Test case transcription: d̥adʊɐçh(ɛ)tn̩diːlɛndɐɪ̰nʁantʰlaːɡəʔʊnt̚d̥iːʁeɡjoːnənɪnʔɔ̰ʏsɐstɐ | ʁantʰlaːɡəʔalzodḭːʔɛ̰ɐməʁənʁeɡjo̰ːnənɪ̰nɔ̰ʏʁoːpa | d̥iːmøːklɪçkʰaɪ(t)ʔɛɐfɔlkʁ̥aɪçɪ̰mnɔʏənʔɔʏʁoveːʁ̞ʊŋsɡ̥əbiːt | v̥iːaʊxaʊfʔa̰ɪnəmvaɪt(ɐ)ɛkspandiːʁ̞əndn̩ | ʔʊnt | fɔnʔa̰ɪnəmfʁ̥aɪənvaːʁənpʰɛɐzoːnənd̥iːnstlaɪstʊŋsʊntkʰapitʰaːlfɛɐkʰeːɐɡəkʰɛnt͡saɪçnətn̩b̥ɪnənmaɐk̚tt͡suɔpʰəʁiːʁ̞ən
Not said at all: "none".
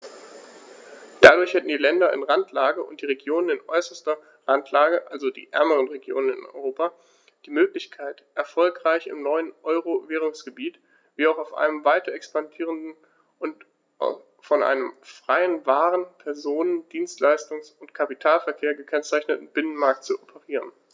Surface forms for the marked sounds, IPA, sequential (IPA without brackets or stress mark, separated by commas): ɛ, t, ɐ